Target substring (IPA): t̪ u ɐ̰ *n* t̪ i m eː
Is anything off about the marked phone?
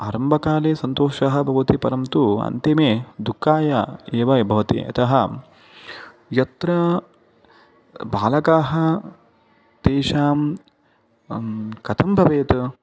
no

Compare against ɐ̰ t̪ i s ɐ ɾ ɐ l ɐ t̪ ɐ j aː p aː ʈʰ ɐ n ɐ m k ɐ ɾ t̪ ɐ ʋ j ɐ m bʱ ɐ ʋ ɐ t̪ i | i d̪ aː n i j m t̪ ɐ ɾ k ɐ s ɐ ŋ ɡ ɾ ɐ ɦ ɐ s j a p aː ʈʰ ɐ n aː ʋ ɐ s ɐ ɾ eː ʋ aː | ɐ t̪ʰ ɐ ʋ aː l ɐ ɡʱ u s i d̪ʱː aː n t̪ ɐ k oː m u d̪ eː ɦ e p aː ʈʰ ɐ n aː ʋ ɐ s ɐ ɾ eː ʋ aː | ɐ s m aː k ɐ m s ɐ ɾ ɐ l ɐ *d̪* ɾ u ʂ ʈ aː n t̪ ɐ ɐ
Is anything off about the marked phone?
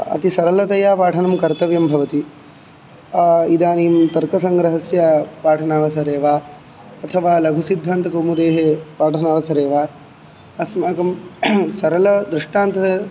no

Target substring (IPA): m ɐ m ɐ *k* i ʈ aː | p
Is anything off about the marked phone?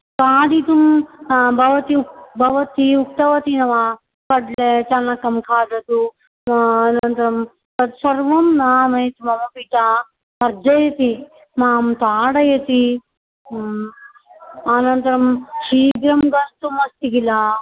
yes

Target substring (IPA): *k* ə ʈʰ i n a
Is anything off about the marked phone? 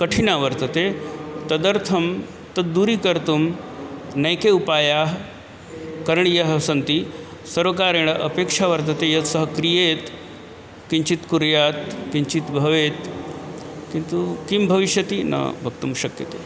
no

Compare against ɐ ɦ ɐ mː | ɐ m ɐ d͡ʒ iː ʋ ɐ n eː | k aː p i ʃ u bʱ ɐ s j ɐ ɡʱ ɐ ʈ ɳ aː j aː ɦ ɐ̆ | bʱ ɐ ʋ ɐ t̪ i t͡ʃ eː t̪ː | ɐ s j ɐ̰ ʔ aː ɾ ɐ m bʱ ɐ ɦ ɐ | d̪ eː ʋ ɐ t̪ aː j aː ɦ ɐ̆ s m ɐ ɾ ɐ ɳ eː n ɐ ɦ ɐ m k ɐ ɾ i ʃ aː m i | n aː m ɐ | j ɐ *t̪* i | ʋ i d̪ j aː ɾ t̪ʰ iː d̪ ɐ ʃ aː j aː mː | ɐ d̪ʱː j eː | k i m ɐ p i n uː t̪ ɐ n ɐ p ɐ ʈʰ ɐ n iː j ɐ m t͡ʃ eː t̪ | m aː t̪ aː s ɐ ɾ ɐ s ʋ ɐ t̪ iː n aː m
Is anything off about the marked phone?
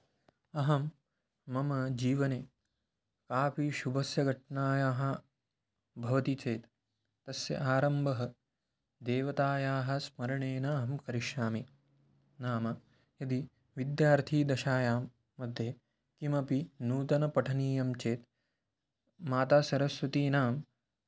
yes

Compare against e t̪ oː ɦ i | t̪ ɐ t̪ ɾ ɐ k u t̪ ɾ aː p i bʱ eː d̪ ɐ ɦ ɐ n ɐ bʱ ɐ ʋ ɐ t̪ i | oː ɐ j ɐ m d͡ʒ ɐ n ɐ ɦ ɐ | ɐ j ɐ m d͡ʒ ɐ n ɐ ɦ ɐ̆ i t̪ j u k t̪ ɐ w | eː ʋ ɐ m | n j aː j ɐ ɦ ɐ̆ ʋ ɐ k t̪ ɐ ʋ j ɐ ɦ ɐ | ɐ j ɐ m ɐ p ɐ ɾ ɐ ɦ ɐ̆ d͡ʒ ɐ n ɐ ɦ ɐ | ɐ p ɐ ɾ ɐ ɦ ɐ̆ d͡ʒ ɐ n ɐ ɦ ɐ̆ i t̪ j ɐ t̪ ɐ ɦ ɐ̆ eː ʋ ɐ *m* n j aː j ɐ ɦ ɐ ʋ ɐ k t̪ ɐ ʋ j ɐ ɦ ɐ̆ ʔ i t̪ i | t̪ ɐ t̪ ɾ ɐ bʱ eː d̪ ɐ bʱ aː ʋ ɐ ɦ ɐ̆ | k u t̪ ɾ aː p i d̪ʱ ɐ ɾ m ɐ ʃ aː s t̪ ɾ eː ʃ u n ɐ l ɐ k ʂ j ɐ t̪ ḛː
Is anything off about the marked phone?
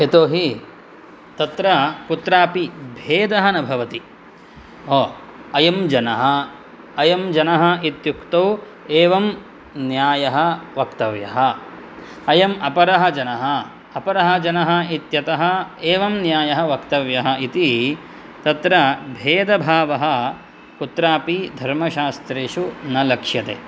no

